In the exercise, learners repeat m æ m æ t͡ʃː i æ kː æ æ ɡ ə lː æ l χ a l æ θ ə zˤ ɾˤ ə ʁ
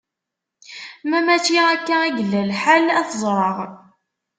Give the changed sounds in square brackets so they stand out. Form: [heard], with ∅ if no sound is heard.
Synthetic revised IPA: m æ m æ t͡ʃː i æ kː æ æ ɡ ə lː æ l [ħ] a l æ θ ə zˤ ɾˤ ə ʁ